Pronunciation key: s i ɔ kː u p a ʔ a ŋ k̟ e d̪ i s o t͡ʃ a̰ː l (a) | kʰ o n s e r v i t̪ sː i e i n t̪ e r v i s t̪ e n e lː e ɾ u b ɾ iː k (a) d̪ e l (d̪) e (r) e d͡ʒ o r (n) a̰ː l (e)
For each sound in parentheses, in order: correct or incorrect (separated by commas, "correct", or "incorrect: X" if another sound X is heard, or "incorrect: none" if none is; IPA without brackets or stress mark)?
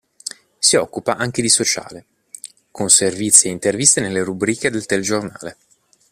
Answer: incorrect: e, incorrect: e, incorrect: t̪, incorrect: l, correct, correct